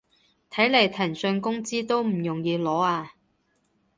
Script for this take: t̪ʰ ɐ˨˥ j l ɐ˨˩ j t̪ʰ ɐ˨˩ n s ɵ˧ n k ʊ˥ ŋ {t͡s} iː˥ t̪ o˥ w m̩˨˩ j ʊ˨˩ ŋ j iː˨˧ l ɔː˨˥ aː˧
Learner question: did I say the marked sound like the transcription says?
yes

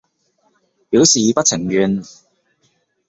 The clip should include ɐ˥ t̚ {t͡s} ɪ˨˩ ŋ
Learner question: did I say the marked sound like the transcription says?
no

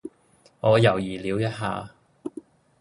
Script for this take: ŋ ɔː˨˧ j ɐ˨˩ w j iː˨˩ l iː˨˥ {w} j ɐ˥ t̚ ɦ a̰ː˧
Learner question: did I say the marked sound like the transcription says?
yes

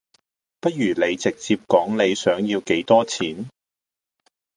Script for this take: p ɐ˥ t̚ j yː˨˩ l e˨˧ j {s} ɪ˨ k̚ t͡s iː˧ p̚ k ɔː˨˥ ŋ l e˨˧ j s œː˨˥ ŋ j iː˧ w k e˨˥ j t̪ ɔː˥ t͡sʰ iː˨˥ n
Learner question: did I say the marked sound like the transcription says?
no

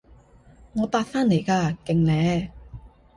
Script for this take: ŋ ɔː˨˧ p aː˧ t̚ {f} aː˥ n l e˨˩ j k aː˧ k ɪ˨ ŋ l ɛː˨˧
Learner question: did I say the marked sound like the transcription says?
yes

